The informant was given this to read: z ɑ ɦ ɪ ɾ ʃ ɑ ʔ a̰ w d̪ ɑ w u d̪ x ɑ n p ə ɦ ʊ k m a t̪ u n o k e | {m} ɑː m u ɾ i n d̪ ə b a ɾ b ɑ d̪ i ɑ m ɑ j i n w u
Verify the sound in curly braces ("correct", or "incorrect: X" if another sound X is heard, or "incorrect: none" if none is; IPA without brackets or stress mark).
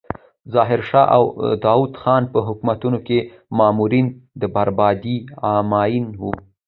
correct